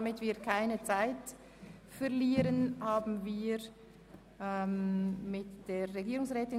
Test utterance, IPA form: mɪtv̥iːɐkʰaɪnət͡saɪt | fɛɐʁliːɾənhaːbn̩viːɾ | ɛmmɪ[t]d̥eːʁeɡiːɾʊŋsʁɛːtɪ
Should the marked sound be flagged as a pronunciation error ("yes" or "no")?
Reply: no